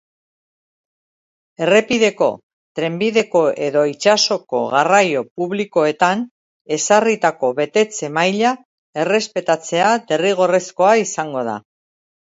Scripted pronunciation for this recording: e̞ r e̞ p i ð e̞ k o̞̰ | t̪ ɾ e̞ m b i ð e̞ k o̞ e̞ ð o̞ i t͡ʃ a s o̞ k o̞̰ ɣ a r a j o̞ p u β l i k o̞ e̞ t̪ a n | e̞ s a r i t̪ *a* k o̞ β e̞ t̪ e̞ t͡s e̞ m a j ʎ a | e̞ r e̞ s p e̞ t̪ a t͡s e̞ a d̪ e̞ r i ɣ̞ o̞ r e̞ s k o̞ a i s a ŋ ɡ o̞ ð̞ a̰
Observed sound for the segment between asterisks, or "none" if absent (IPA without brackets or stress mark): a